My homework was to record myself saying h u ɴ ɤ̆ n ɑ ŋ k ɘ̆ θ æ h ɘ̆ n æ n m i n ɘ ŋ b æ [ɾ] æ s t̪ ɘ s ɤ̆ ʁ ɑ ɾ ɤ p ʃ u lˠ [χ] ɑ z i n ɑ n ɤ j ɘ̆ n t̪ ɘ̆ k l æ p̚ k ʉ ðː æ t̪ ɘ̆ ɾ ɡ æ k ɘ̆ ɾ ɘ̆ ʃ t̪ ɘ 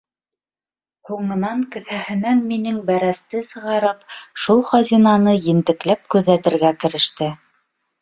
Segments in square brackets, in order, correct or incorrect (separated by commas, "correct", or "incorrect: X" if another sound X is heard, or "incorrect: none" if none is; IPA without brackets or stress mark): correct, correct